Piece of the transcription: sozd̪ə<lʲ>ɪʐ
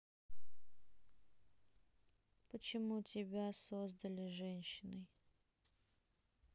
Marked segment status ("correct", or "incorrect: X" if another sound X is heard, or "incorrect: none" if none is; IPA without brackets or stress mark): correct